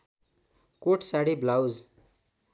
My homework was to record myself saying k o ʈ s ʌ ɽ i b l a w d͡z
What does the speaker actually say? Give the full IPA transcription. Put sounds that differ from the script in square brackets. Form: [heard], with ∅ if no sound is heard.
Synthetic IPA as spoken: k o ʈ s [a] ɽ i b l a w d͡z